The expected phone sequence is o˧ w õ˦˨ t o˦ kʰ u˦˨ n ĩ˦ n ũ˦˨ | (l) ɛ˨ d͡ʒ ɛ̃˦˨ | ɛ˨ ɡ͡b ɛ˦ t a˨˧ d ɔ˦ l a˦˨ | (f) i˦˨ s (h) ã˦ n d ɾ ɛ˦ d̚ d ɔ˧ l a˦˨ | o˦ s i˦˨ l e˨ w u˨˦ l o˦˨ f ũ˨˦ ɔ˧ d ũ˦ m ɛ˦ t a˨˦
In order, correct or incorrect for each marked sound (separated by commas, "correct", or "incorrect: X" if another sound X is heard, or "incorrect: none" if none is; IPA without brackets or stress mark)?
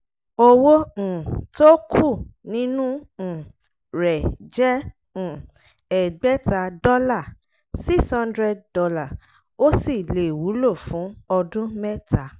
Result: incorrect: ɾ, incorrect: s, correct